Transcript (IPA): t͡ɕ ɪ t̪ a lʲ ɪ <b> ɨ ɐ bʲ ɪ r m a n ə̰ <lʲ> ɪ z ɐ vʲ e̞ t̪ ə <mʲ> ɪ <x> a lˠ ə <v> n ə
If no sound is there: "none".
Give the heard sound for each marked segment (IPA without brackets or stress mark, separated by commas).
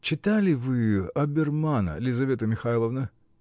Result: v, lʲ, mʲ, x, v